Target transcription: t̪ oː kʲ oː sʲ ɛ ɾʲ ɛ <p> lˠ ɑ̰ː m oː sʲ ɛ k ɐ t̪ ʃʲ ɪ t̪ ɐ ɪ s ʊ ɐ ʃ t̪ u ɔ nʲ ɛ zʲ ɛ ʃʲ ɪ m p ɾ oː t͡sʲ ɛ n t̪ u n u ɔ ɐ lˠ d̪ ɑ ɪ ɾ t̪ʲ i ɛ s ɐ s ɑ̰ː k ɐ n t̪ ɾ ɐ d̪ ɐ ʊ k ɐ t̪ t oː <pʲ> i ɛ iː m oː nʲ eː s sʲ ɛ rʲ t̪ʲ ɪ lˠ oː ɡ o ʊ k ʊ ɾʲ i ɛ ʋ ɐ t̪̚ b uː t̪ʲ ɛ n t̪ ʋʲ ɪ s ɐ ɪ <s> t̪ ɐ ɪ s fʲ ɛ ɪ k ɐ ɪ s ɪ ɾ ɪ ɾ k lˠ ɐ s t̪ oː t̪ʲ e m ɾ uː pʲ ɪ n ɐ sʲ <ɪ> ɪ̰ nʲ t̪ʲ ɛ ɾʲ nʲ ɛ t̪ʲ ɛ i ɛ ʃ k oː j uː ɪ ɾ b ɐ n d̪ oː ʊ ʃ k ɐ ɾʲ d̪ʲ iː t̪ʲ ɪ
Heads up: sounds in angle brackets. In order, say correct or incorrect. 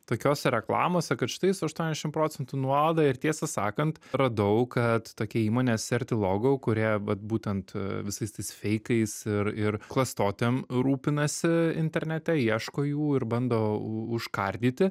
incorrect: k, incorrect: kʲ, correct, correct

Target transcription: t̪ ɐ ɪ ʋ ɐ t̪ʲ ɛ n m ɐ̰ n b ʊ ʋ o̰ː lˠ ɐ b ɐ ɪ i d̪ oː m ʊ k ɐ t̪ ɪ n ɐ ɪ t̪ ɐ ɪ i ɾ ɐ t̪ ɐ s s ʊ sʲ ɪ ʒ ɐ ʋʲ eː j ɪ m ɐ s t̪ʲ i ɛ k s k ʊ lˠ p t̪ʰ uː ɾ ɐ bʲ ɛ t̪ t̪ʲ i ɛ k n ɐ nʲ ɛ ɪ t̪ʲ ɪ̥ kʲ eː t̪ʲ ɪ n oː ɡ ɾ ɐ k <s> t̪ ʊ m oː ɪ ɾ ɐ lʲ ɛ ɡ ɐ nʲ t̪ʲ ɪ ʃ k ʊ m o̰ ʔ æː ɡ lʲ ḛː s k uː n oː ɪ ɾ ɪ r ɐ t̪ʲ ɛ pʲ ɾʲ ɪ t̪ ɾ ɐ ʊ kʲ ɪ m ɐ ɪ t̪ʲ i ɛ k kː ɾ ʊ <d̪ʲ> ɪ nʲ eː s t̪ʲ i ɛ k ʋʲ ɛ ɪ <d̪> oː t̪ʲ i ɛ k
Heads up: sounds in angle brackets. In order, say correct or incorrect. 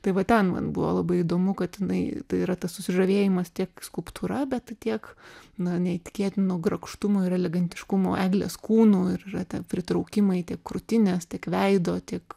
incorrect: ʃ, incorrect: t̪ʲ, correct

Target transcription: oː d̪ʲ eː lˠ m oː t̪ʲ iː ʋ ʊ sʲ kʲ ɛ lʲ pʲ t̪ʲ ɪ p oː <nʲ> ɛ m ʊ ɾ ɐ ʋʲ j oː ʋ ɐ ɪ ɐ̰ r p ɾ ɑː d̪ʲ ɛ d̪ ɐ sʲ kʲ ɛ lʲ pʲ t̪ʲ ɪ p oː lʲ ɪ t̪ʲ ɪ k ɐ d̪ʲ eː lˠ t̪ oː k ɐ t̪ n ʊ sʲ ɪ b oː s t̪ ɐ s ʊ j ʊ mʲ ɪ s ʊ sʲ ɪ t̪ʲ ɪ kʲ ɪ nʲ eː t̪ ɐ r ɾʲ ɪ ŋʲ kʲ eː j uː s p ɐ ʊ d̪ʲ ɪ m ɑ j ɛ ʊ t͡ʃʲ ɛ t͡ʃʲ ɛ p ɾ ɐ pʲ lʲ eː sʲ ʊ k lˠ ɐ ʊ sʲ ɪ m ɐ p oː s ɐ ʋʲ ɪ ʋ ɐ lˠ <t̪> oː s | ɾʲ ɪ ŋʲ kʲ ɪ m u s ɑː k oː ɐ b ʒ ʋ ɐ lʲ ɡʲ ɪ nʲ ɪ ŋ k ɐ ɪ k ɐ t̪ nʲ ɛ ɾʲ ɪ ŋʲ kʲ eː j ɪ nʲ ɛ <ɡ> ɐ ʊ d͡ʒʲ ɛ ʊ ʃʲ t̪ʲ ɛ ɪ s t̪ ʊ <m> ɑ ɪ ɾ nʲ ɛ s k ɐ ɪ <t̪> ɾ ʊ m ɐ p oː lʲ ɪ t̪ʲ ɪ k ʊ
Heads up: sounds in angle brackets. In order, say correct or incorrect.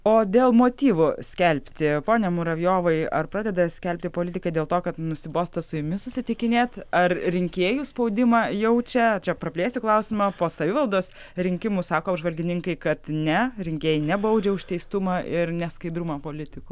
correct, incorrect: d̪, incorrect: b, correct, incorrect: d̪

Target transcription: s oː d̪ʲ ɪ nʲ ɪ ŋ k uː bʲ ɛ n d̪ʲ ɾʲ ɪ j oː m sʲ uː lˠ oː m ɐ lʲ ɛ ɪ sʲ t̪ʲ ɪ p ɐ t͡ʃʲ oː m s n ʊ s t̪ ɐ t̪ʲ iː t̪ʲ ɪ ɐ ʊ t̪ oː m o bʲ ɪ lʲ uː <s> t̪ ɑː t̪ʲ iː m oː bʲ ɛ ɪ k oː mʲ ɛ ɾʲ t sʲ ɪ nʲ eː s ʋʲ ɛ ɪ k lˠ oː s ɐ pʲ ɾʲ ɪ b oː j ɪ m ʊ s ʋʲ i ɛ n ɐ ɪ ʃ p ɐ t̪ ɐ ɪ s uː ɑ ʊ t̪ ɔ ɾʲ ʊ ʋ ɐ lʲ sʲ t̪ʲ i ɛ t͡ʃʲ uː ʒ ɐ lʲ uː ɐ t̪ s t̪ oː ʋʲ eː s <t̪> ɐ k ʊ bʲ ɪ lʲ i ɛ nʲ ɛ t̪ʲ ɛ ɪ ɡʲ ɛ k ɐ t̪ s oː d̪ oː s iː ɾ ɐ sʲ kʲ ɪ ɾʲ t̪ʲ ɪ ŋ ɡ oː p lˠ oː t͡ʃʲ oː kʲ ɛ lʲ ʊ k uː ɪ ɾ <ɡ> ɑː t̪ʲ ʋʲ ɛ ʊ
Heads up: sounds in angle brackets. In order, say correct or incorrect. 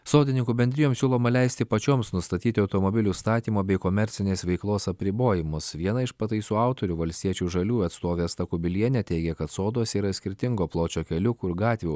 correct, correct, correct

